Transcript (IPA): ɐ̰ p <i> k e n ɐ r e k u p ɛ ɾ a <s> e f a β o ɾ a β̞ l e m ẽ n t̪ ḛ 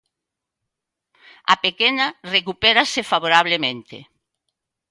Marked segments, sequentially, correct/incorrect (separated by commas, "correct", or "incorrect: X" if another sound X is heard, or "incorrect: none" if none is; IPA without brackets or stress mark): incorrect: e, correct